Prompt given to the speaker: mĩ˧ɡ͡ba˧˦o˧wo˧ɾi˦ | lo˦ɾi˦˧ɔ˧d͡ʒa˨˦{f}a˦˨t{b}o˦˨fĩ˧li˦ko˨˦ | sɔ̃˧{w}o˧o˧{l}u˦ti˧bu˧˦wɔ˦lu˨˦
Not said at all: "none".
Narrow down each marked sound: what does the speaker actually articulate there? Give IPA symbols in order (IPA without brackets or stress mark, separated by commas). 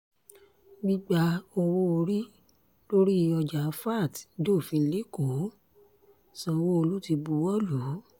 f, d, w, l